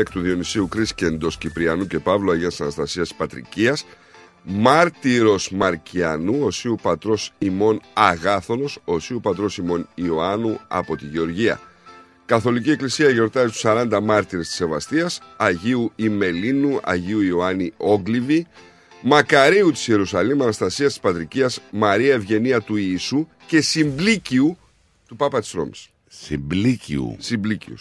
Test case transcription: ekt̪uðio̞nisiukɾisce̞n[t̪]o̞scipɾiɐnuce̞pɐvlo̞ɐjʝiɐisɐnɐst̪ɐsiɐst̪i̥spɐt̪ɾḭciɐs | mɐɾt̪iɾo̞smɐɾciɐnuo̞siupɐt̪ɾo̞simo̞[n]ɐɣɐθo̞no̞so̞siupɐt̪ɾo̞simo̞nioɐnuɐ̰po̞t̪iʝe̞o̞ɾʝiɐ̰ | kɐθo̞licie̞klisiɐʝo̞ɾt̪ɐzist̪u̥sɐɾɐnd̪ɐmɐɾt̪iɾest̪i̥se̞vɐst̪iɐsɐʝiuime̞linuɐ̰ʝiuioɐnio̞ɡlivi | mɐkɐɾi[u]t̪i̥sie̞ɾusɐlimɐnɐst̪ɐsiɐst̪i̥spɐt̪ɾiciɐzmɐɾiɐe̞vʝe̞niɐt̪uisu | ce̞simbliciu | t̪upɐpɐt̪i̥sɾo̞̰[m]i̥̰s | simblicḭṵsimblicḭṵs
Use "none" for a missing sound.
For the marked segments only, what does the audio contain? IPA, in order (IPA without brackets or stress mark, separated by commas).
d̪, n, u, m